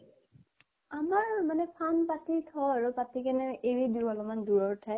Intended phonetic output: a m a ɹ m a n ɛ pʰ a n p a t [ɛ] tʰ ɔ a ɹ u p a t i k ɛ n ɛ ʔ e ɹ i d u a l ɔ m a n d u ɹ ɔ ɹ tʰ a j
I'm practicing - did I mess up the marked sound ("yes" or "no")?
yes